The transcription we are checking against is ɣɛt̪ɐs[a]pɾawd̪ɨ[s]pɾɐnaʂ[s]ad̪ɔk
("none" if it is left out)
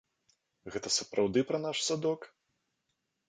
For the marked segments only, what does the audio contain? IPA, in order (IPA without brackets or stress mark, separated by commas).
ɐ, none, s